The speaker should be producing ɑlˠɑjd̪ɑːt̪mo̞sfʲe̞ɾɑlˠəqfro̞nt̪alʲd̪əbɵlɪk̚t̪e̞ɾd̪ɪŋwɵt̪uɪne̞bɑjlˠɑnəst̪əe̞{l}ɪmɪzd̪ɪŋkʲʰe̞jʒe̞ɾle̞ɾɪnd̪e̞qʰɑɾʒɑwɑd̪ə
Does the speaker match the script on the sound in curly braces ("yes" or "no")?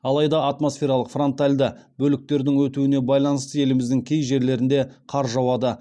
yes